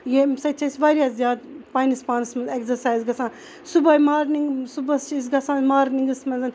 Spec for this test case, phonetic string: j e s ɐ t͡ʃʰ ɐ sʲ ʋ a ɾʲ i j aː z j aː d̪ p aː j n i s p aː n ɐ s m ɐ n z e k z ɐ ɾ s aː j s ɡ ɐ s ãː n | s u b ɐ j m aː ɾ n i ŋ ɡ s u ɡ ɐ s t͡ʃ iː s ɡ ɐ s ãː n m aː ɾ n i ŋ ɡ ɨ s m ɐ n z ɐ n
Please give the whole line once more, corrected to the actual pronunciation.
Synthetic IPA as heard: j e s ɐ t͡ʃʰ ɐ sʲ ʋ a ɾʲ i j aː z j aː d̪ p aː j n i s p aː n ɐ s m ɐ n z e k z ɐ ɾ s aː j z ɡ ɐ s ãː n | s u b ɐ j m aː ɾ n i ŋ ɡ s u b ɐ s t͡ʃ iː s ɡ ɐ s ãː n m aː ɾ n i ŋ ɡ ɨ s m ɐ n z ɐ n